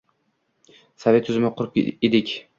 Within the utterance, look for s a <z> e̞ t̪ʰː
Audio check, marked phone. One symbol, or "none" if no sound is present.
v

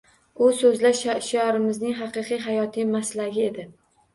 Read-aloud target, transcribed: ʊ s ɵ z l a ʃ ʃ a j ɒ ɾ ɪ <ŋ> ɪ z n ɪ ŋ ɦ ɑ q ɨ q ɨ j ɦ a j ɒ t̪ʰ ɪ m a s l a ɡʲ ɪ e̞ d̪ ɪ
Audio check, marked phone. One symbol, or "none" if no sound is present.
m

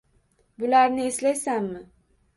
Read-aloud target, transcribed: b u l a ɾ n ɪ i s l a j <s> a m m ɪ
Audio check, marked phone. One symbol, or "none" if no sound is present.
s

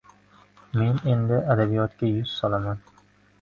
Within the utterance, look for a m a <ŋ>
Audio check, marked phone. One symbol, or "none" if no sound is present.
n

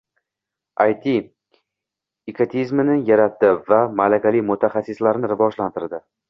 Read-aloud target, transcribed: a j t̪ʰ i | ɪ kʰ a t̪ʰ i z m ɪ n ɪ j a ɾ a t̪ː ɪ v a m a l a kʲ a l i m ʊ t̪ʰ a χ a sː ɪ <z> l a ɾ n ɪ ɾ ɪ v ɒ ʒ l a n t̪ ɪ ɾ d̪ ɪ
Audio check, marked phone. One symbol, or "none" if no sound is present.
s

